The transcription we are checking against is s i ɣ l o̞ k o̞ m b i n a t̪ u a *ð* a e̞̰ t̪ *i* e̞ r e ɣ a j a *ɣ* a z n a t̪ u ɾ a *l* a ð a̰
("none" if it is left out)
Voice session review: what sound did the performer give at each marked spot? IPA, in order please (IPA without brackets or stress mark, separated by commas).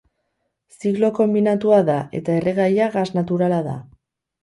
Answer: ð, a, ɣ, l